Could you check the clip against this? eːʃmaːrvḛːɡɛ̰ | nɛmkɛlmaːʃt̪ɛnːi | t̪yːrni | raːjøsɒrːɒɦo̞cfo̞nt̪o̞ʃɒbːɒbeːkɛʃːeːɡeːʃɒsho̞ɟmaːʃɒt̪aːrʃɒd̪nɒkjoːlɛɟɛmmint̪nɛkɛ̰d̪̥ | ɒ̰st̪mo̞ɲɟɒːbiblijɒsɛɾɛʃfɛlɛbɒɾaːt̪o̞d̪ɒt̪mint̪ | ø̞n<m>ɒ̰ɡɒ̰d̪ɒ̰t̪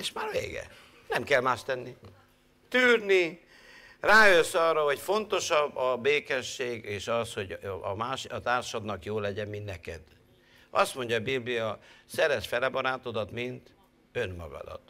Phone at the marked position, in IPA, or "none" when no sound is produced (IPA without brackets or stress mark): m